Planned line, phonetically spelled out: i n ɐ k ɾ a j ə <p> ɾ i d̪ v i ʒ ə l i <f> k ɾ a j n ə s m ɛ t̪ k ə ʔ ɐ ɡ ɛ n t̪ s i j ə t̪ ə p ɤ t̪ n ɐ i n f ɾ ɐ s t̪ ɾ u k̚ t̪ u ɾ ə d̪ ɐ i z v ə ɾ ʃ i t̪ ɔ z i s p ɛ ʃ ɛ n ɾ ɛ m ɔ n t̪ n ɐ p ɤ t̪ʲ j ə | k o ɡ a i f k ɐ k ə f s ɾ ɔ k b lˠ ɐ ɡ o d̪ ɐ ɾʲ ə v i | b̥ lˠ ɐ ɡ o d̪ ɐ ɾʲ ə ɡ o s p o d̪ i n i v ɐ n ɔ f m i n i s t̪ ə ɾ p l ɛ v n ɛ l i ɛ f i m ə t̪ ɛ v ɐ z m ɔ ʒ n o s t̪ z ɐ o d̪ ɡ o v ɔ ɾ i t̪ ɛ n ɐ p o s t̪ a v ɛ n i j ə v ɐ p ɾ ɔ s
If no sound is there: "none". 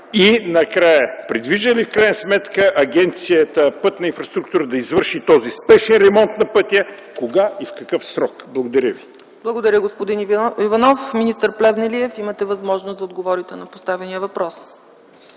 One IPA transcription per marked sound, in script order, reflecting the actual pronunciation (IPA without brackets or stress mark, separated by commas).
p, f